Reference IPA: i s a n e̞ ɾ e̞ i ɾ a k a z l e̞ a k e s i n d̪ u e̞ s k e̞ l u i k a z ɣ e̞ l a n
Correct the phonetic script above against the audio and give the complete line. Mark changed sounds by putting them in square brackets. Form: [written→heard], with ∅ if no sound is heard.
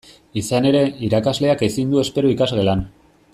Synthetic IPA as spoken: i s a n e̞ ɾ e̞ i ɾ a k a z l e̞ a k e s i n d̪ u e̞ s [k→p] e̞ [l→ɾ] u i k a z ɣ e̞ l a n